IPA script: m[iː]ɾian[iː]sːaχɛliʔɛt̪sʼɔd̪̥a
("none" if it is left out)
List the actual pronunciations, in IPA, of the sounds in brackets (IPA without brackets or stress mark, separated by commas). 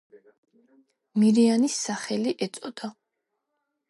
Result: i, i